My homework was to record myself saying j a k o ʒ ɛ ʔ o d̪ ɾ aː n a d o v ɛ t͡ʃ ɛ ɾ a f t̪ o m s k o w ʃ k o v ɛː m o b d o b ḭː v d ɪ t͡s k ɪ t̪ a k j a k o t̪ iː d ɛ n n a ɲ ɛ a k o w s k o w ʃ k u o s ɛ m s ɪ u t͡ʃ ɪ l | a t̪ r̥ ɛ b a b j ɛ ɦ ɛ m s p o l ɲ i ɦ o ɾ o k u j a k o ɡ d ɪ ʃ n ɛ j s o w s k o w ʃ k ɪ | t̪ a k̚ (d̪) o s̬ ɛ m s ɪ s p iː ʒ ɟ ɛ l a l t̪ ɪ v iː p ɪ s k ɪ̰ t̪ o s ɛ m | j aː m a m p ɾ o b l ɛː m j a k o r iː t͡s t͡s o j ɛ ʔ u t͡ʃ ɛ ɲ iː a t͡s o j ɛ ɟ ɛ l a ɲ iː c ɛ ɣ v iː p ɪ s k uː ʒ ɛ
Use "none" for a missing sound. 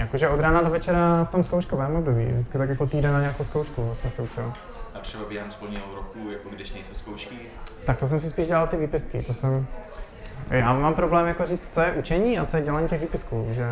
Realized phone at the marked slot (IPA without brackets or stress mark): t̪